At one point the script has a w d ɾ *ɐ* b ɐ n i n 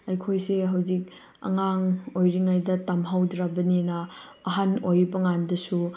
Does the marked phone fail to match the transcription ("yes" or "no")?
yes